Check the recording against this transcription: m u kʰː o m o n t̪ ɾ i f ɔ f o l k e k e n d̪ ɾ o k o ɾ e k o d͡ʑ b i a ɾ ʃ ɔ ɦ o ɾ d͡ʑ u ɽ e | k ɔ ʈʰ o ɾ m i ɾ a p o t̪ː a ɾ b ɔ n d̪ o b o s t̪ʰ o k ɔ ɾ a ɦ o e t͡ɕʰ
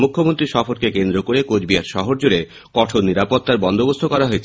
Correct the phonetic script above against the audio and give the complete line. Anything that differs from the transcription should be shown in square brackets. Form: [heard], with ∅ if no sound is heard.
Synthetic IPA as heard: m u kʰː o m o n t̪ ɾ i [ʃ] ɔ f o [ɾ] k e k e n d̪ ɾ o k o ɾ e k o d͡ʑ b i a ɾ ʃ ɔ ɦ o ɾ d͡ʑ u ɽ e | k ɔ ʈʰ o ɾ [n] i ɾ a p o t̪ː a ɾ b ɔ n d̪ o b o s t̪ʰ o k ɔ ɾ a ɦ o e t͡ɕʰ